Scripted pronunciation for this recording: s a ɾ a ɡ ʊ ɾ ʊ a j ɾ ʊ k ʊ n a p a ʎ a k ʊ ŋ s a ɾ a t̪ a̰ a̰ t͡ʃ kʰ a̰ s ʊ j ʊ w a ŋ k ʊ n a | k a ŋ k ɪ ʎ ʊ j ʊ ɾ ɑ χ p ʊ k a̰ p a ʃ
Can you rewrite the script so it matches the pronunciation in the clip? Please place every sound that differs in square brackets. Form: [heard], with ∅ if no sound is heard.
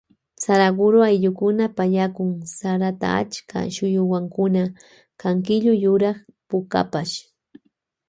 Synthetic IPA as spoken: s a ɾ a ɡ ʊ ɾ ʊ a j [ʎ] ʊ k ʊ n a p a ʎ a k ʊ ŋ s a ɾ a t̪ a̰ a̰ t͡ʃ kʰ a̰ [ʃ] ʊ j ʊ w a ŋ k ʊ n a | k a ŋ k ɪ ʎ ʊ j ʊ ɾ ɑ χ p ʊ k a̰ p a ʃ